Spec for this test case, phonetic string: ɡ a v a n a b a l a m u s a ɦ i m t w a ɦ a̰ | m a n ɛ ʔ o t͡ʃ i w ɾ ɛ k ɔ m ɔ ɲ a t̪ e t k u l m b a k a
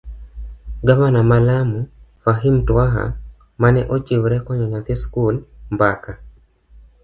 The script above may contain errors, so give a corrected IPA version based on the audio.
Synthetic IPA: ɡ a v a n a m a l a m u f a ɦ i m t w a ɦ a̰ | m a n ɛ ʔ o t͡ʃ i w ɾ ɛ k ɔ ɲ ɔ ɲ a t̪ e s k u l m b a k a

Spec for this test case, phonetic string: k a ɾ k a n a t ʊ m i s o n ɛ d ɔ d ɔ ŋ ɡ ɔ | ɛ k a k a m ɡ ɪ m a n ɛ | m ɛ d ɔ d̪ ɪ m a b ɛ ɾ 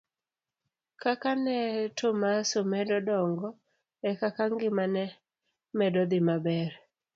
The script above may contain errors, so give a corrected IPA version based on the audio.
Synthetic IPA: k a k a n ɛ t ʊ m a s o m ɛ d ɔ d ɔ ŋ ɡ ɔ | ɛ k a k a ŋ ɡ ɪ m a n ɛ | m ɛ d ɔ d̪ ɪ m a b ɛ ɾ

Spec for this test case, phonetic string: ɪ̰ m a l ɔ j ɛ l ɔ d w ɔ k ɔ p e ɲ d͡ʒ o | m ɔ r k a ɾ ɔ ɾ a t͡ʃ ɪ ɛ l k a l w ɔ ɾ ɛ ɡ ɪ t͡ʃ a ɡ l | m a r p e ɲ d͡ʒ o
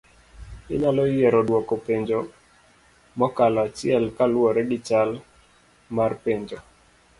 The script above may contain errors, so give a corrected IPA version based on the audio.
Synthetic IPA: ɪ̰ ɲ a l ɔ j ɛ ɾ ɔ d w ɔ k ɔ p e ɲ d͡ʒ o | m ɔ k a l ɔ a t͡ʃ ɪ ɛ l k a l w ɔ ɾ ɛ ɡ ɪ t͡ʃ a l | m a r p e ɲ d͡ʒ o

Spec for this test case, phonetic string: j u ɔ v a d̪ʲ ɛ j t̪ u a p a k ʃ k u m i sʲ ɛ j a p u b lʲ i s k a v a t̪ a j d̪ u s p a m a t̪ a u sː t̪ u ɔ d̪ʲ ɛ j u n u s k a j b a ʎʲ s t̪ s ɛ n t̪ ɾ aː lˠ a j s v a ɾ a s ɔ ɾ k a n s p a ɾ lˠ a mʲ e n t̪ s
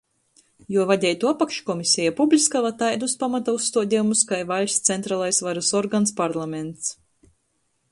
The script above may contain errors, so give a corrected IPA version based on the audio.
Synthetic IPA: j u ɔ v a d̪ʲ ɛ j t̪ u a p a k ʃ k ɔ m i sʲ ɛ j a p u b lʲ i s k a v a t̪ a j d̪ u s p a m a t̪ a u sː t̪ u ɔ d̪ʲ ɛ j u m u s k a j v a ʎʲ s t̪ s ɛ n t̪ ɾ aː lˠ a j s v a ɾ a s ɔ ɾ ɡ a n s p a ɾ lˠ a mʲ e n t̪ s

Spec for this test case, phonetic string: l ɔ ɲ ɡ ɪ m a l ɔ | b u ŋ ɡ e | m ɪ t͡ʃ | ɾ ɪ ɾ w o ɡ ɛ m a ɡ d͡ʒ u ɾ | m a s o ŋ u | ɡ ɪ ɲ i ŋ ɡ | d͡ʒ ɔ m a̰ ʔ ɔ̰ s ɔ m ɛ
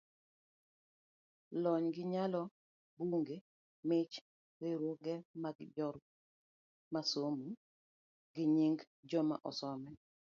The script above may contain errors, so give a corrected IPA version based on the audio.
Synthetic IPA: l ɔ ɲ ɡ ɪ ɲ a l ɔ | b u ŋ ɡ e | m ɪ t͡ʃ | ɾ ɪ ɾ w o ɡ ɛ m a ɡ d͡ʒ ɔ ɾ | m a s o m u | ɡ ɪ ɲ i ŋ ɡ | d͡ʒ ɔ m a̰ ʔ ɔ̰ s ɔ m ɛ

